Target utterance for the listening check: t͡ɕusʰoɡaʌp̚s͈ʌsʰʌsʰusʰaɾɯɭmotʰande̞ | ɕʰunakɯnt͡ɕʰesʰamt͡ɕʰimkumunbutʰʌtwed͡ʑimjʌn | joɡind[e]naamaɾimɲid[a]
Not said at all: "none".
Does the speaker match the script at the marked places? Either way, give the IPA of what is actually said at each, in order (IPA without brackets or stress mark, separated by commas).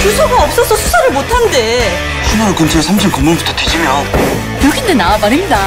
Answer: e, a